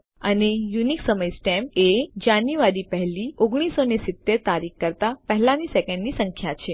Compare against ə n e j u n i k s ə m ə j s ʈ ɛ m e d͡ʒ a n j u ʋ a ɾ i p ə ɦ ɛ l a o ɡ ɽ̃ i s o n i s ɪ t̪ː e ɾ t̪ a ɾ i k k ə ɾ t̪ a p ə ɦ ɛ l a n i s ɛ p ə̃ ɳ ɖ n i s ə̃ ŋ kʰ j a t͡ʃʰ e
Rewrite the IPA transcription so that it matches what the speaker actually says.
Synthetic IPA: ə n e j u n i k s ə m ə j s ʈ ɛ m e d͡ʒ a n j u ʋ a ɾ i p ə ɦ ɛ l i o ɡ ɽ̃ i s o n e s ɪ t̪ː e ɾ t̪ a ɾ i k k ə ɾ t̪ a p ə ɦ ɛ l a n i s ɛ k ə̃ ɳ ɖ n i s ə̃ ŋ kʰ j a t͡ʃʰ e